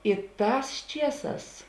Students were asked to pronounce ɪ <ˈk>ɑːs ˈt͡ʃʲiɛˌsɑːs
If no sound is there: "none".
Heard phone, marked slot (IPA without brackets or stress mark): t